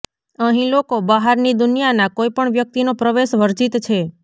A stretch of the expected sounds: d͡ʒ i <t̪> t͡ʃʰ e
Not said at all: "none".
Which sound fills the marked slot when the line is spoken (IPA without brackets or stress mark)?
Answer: t̪